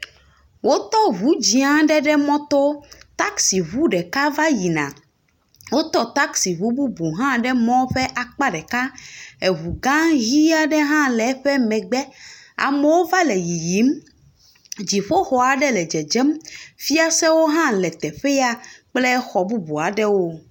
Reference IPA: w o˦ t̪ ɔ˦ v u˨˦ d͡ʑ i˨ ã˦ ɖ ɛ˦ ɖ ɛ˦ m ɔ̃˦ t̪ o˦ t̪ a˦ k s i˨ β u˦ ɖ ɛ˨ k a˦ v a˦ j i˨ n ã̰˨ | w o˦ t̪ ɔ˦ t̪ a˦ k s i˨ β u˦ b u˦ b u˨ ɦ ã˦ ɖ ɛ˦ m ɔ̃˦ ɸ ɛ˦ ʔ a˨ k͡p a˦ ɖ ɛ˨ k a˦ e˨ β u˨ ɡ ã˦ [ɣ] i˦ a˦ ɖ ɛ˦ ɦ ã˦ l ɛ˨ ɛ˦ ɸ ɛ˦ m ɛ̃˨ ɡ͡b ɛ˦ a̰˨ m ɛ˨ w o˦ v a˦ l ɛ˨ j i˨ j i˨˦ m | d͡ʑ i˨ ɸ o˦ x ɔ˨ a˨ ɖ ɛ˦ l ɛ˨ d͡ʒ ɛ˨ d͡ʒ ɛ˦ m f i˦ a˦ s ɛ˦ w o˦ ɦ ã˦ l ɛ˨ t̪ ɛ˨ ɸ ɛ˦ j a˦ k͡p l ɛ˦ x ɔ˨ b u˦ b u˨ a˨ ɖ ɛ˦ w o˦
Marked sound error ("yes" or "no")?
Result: no